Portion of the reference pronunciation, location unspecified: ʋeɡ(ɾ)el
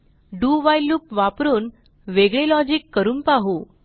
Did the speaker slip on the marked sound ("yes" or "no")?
yes